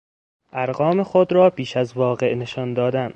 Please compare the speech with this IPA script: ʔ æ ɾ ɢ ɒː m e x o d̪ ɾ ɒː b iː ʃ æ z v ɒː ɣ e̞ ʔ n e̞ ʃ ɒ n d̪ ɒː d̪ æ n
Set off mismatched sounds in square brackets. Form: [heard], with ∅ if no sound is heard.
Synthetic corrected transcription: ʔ æ ɾ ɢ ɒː m e x o d̪ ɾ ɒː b iː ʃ æ z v ɒː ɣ e̞ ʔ n e̞ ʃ ɒ n d̪ ɒː d̪ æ n

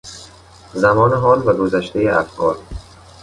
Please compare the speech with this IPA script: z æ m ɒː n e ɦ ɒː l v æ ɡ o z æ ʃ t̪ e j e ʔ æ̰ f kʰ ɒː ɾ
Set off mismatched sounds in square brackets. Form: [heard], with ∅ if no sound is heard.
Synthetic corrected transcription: z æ m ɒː n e ɦ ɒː l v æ ɡ o z æ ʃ t̪ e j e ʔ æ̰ f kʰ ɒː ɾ

